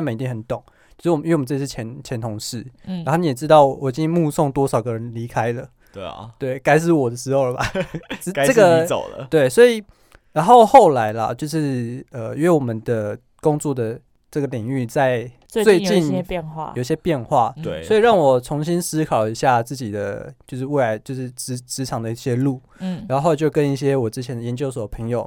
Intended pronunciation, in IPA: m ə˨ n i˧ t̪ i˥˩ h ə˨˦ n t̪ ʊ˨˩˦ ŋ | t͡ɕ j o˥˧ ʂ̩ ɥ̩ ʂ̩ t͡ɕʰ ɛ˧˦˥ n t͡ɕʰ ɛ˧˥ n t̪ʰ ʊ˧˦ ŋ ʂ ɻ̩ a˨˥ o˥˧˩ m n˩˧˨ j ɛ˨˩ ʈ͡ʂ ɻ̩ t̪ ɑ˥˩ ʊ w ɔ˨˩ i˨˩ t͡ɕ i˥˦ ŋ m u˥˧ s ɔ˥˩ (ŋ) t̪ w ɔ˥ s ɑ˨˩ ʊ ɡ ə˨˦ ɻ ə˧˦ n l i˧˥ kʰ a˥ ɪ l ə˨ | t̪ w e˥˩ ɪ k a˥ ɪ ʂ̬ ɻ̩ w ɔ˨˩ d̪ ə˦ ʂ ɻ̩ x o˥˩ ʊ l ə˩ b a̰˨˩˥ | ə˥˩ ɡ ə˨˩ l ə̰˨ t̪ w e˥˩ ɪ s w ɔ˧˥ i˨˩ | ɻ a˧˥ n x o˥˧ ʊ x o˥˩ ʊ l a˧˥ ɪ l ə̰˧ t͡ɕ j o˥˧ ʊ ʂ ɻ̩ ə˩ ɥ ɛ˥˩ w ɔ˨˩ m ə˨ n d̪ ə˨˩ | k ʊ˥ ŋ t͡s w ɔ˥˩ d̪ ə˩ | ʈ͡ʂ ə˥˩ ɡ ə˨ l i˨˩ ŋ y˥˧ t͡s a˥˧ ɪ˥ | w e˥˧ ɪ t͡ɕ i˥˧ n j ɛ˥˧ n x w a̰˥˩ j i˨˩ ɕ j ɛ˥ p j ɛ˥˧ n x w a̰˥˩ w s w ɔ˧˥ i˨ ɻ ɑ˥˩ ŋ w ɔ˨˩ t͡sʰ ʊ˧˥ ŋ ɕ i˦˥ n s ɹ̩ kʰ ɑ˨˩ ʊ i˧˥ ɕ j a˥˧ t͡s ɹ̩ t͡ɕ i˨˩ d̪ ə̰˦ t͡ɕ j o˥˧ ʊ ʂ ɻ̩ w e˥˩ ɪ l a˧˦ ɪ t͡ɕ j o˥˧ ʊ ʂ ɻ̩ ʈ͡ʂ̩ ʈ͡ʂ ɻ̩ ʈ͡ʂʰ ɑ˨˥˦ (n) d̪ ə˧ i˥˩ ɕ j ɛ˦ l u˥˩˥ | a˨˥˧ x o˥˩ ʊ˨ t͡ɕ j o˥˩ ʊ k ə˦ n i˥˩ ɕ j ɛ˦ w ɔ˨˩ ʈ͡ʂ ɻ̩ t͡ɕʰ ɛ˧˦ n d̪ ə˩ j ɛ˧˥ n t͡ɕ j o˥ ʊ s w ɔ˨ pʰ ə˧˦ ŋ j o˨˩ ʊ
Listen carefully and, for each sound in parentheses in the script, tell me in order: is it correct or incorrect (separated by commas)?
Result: correct, incorrect